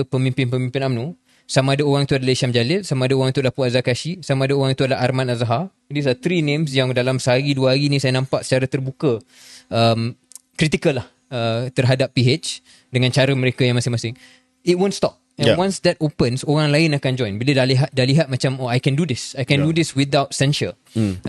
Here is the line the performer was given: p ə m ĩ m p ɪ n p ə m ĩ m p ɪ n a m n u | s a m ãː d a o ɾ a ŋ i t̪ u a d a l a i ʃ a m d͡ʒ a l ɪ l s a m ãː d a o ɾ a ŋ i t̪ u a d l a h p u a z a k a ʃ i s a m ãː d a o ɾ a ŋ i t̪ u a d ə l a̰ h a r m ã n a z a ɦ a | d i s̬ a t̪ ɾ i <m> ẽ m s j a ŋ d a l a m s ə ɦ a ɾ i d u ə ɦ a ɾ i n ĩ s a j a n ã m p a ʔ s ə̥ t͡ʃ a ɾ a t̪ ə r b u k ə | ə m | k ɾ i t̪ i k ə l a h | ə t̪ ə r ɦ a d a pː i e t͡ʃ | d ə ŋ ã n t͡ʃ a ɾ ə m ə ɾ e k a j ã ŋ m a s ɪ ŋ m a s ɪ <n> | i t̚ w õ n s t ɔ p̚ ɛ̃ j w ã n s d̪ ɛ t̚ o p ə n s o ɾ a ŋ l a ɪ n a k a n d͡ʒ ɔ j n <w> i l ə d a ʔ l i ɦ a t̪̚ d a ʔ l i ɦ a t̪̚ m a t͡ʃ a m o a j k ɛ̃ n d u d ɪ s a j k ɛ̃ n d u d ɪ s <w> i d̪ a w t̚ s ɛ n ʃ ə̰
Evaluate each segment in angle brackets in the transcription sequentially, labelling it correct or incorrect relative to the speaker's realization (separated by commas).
incorrect, incorrect, incorrect, correct